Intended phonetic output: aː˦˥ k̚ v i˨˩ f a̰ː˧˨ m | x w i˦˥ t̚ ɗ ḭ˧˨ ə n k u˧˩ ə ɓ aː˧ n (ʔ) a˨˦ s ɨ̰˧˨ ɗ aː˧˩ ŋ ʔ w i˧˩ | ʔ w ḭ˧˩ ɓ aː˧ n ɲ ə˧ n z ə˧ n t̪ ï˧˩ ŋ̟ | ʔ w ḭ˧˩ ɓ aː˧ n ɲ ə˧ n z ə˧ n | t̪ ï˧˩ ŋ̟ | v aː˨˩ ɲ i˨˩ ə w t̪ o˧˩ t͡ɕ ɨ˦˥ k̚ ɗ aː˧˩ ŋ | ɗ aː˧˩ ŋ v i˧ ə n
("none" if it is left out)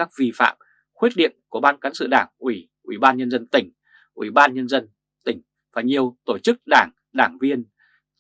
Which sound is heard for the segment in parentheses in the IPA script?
k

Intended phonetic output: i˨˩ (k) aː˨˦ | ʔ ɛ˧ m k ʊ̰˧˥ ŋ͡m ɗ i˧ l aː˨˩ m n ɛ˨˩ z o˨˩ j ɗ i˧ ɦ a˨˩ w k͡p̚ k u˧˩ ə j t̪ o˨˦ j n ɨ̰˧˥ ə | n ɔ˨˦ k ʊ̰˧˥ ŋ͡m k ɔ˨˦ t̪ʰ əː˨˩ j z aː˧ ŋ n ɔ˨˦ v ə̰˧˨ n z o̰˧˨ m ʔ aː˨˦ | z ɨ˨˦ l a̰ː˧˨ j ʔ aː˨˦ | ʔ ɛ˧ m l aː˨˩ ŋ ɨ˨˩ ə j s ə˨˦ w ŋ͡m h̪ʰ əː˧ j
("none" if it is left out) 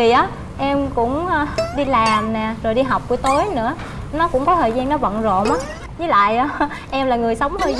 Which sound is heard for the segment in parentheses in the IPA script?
ʔ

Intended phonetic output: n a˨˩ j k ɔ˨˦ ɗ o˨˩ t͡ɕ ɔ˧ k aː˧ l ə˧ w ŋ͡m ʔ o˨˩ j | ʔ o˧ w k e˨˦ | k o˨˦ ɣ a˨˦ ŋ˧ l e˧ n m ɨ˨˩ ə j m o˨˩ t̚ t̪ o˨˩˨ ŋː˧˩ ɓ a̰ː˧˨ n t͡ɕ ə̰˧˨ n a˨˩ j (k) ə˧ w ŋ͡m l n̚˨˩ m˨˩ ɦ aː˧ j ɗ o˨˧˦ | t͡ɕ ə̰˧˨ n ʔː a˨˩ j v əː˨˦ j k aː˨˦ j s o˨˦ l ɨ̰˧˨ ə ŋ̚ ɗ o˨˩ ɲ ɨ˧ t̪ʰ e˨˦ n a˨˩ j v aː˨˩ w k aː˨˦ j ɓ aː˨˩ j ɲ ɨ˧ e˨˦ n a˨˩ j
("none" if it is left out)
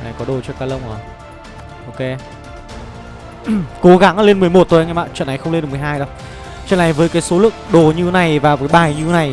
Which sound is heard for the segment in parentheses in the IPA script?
x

